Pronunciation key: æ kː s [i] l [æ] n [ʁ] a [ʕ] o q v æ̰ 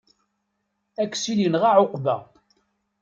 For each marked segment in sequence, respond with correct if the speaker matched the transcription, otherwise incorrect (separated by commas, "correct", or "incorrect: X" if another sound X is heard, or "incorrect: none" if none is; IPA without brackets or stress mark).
correct, incorrect: i, correct, correct